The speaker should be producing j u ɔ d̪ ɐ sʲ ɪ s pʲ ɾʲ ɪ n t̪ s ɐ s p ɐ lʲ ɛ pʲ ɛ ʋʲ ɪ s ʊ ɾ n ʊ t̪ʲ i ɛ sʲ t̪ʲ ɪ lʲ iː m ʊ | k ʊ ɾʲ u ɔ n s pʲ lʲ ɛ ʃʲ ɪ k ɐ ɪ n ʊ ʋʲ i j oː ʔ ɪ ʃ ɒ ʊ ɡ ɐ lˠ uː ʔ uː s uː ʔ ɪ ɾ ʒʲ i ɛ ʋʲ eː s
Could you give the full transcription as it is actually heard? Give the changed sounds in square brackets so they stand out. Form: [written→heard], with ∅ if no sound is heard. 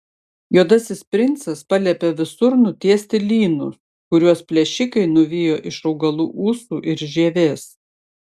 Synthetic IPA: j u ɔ d̪ ɐ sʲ ɪ s pʲ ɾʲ ɪ n t̪ s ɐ s p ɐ lʲ ɛ pʲ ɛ ʋʲ ɪ s ʊ ɾ n ʊ t̪ʲ i ɛ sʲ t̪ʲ ɪ lʲ iː [m→n] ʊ | k ʊ ɾʲ u ɔ [n→∅] s pʲ lʲ ɛ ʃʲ ɪ k ɐ ɪ n ʊ ʋʲ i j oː ʔ ɪ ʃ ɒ ʊ ɡ ɐ lˠ uː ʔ uː s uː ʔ ɪ ɾ ʒʲ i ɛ ʋʲ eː s